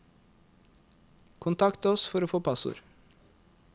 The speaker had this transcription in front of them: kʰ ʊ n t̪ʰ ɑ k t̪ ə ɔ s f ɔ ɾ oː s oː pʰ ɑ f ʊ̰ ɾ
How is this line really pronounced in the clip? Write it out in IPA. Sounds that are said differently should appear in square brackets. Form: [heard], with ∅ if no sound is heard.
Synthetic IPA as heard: kʰ ʊ n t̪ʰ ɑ k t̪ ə ɔ s f ɔ ɾ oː [f] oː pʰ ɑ [s] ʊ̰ ɾ

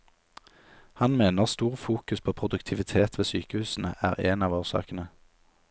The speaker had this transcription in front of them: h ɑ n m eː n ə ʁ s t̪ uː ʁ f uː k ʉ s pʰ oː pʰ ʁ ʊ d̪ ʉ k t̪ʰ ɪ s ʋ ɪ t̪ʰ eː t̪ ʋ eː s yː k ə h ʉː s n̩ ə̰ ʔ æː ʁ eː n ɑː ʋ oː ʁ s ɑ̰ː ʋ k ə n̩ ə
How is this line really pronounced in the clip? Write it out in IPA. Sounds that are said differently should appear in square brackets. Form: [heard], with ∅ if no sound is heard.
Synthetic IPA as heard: h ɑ n m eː n ə ʁ s t̪ uː ʁ f uː k ʉ s pʰ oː pʰ ʁ ʊ d̪ ʉ k t̪ʰ ɪ [∅] ʋ ɪ t̪ʰ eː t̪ ʋ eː s yː k ə h ʉː s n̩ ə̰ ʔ æː ʁ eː n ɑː ʋ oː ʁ s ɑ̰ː [∅] k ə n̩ ə

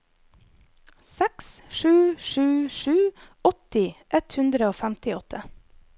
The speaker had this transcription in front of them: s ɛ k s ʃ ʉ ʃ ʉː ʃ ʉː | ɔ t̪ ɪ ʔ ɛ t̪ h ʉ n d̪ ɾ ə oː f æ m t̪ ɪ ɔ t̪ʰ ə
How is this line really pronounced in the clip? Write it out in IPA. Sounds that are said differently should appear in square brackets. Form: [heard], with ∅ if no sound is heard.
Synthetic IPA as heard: s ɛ k s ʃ [ʉː] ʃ ʉː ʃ ʉː | ɔ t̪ ɪ ʔ ɛ t̪ h ʉ n d̪ ɾ ə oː f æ m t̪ ɪ ɔ t̪ʰ ə

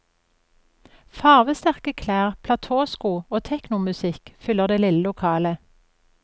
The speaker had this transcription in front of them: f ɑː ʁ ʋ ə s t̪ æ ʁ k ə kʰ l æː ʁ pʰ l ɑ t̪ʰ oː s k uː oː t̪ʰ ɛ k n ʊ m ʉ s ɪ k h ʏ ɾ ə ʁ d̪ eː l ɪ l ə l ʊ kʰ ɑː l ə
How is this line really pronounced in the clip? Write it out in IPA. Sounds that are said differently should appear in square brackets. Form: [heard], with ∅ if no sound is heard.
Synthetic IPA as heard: f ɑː ʁ ʋ ə s t̪ æ ʁ k ə kʰ l æː ʁ pʰ l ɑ t̪ʰ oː s k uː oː t̪ʰ ɛ k n ʊ m ʉ s ɪ k [f] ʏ [l] ə ʁ d̪ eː l ɪ l ə l ʊ kʰ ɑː l ə

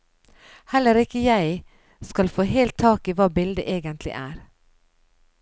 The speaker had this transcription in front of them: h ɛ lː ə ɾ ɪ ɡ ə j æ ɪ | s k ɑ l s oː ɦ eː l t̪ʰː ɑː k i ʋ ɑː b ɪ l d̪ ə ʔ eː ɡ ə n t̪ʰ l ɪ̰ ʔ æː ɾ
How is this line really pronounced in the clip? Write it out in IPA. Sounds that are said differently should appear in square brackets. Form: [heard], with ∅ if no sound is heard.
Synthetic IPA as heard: h ɛ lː ə ɾ ɪ [k] ə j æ ɪ | s k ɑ l [f] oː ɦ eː l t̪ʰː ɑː k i ʋ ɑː b ɪ l d̪ ə ʔ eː ɡ ə n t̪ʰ l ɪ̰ ʔ æː ɾ

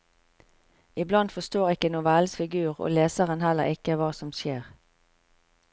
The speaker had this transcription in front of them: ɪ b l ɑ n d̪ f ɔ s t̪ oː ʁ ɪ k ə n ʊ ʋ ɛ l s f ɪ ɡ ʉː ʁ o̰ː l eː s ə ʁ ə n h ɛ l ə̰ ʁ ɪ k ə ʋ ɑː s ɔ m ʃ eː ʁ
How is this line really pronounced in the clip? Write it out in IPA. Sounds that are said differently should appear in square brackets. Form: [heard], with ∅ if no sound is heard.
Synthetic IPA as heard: ɪ b l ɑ n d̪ f ɔ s t̪ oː ʁ ɪ k ə n ʊ ʋ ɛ l s f ɪ ɡ ʉː ʁ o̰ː l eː s ə ʁ ə n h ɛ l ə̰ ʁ ɪ k ə ʋ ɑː s ɔ m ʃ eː ʁ

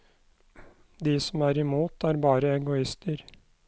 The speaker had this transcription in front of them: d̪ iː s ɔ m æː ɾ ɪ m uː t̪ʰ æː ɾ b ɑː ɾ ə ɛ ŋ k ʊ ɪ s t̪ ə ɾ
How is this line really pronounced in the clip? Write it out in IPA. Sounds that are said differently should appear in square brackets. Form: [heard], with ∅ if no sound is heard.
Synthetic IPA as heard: d̪ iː s ɔ m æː ɾ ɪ m uː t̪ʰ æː ɾ b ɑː ɾ ə ɛ ŋ [ɡ] ʊ ɪ s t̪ ə ɾ

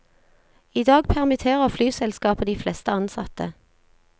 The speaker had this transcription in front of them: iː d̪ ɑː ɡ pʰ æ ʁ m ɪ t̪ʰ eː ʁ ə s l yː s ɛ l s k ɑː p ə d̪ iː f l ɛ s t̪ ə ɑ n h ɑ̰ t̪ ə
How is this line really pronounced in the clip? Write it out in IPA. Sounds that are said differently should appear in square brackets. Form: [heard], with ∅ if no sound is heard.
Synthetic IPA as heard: iː d̪ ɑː ɡ pʰ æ ʁ m ɪ t̪ʰ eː ʁ ə [f] l yː s ɛ l s k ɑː p ə d̪ iː f l ɛ s t̪ ə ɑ n [s] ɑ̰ t̪ ə

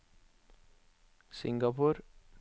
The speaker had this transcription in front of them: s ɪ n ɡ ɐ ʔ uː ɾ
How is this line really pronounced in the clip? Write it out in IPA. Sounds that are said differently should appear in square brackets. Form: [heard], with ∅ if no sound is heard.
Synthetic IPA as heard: s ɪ [ŋ] ɡ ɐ [p] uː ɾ

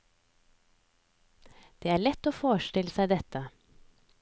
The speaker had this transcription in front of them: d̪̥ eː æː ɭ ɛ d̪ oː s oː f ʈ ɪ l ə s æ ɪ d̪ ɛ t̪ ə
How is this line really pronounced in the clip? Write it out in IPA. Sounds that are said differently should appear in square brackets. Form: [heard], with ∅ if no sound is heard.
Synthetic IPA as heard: d̪̥ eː æː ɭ ɛ [t̪] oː [f] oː [ʃ] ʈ ɪ l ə s æ ɪ d̪ ɛ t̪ ə

